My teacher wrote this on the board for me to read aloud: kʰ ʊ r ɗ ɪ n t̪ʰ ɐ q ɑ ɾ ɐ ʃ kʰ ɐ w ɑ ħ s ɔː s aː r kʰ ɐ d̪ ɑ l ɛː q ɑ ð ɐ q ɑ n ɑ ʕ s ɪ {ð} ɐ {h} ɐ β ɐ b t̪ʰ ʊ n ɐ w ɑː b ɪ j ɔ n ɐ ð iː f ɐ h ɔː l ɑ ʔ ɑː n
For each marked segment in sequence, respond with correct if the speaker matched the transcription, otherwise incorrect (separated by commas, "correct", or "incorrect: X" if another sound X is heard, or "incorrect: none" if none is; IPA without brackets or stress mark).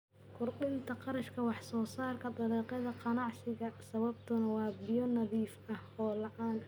incorrect: ɣ, incorrect: s